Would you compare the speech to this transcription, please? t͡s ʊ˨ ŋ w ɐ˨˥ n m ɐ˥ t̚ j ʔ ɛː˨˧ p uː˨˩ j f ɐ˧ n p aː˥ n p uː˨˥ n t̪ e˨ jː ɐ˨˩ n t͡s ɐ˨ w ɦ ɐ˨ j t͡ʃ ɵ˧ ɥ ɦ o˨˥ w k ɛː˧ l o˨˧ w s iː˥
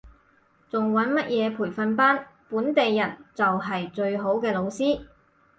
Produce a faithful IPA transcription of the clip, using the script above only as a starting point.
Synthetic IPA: t͡s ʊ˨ ŋ w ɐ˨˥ n m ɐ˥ t̚ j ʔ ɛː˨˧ pʰ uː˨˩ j f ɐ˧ n p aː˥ n p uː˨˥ n t̪ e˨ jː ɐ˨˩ n t͡s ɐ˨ w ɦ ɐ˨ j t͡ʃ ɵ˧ ɥ ɦ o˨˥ w k ɛː˧ l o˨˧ w s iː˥

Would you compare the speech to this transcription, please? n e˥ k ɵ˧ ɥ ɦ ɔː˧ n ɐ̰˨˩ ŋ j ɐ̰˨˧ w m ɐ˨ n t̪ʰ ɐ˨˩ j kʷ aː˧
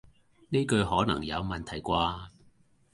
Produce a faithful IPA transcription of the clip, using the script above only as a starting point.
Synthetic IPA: n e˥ k ɵ˧ ɥ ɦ ɔː˨˥ n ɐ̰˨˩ ŋ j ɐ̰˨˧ w m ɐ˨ n t̪ʰ ɐ˨˩ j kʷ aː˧

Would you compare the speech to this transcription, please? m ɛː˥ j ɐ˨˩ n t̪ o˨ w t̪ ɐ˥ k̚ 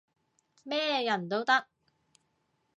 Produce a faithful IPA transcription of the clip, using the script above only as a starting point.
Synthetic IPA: m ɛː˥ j ɐ˨˩ n t̪ o˥ w t̪ ɐ˥ k̚

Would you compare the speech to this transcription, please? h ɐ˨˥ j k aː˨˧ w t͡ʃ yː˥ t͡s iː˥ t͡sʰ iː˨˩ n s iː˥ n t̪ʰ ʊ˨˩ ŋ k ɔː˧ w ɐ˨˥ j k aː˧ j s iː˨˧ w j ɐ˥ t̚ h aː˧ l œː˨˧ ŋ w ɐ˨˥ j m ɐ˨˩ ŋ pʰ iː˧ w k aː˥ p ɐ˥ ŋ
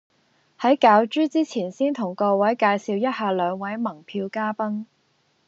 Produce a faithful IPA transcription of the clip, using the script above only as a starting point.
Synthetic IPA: h ɐ˨˥ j k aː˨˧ w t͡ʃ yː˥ t͡s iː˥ t͡sʰ iː˨˩ n s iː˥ n t̪ʰ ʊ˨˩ ŋ k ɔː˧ w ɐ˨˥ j k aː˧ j s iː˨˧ w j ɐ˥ t̚ h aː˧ l œː˨˧ ŋ w ɐ˨˥ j m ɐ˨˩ ŋ pʰ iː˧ w k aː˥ p ɐ˥ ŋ

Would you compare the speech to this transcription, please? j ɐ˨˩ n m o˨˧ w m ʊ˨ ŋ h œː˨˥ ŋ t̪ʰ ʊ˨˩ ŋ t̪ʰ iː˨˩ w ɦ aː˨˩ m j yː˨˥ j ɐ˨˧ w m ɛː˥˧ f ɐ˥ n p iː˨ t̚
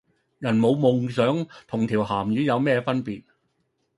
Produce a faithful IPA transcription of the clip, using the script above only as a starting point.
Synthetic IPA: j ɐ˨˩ n m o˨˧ w m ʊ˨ ŋ s œː˨˥ ŋ t̪ʰ ʊ˨˩ ŋ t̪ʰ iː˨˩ w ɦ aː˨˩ m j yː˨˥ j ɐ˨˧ w m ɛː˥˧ f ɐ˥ n p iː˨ t̚

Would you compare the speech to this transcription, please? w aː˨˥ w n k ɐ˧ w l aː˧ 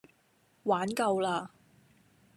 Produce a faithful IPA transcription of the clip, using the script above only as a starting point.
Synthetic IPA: w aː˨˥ n k ɐ˧ w l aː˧

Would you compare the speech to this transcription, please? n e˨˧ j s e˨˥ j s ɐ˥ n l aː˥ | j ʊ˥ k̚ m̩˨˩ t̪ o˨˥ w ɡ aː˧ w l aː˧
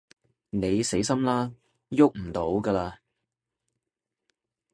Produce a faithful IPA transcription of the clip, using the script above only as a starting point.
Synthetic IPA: n e˨˧ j s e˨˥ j s ɐ˥ m l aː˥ | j ʊ˥ k̚ m̩˨˩ t̪ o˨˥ w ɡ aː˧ l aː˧

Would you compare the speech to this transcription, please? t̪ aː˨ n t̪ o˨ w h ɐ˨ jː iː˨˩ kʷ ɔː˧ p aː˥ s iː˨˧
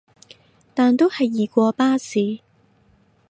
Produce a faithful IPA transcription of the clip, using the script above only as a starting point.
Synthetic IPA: t̪ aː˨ n t̪ o˥ w h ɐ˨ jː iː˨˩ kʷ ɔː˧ p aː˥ s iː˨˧

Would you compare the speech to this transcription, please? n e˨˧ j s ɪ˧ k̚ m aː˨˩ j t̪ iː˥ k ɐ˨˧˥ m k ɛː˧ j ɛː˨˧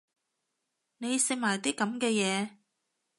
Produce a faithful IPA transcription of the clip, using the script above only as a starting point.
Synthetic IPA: n e˨˧ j s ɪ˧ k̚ m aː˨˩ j t̪ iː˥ k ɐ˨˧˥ m k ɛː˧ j ɛː˨˧

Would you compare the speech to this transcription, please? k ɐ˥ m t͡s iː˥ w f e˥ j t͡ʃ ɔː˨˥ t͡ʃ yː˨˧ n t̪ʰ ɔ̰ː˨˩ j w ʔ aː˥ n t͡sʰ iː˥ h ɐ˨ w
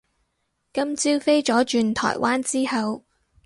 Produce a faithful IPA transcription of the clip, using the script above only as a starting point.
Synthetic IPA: k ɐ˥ m t͡s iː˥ w f e˥ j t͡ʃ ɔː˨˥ t͡ʃ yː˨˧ n t̪ʰ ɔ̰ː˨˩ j w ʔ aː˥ n t͡s iː˥ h ɐ˨ w

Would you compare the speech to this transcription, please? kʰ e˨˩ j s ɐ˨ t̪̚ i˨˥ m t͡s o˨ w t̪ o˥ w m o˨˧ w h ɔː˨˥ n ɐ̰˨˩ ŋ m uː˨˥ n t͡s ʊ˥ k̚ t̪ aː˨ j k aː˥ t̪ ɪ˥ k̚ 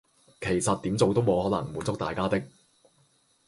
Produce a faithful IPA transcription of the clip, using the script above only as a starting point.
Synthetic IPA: kʰ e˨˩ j s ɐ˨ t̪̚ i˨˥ m t͡s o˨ w t̪ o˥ w m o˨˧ w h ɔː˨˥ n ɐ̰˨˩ ŋ m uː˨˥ n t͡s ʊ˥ k̚ t̪ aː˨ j k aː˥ t̪ ɪ˥ k̚

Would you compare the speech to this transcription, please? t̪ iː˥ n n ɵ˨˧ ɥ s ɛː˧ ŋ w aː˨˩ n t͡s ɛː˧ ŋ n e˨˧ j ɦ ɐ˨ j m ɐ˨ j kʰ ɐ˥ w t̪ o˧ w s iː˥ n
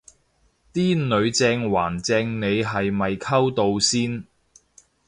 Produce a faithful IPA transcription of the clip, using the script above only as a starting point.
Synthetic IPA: t̪ iː˥ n n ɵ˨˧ ɥ t͡s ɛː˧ ŋ w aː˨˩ n t͡s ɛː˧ ŋ n e˨˧ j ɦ ɐ˨ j m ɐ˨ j kʰ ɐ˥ w t̪ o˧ w s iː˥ n

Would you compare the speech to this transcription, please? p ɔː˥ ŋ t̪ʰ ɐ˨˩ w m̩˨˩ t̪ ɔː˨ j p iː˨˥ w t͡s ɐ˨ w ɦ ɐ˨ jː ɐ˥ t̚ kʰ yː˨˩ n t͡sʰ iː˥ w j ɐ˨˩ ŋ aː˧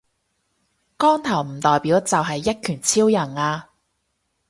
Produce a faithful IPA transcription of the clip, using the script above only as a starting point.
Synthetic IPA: k ɔː˥ ŋ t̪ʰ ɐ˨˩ w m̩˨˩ t̪ ɔː˨ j p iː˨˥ w t͡s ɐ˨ w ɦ ɐ˨ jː ɐ˥ t̚ kʰ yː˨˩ n t͡sʰ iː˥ w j ɐ˨˩ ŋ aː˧

